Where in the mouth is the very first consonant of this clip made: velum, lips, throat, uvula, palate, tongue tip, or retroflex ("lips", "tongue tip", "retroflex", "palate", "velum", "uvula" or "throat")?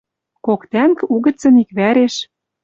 velum